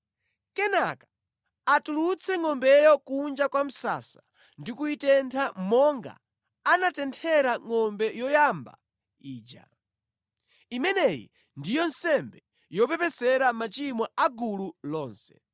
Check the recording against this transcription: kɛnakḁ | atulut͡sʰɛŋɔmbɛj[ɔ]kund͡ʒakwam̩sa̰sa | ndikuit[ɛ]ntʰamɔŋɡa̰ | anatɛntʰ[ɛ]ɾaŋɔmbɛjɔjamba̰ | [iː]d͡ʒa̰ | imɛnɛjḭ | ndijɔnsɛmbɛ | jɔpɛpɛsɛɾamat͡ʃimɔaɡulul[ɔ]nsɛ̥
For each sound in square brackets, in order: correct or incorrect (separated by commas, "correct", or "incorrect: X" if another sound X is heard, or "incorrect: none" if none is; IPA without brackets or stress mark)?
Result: correct, correct, correct, correct, incorrect: ɔː